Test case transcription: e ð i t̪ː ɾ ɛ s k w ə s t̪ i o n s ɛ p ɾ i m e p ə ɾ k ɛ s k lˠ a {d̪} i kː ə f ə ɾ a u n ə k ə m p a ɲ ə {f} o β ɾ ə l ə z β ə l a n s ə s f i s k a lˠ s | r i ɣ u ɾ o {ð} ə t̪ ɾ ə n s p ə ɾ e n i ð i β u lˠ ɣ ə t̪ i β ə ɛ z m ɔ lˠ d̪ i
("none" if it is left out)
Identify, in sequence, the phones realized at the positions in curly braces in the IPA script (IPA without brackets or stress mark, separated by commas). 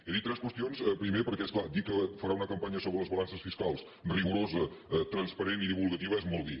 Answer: d̪, s, z